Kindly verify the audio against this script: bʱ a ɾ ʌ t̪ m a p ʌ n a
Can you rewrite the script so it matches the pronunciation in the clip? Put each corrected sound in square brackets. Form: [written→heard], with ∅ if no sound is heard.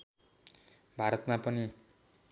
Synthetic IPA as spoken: bʱ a ɾ ʌ t̪ m a p ʌ n [a→i]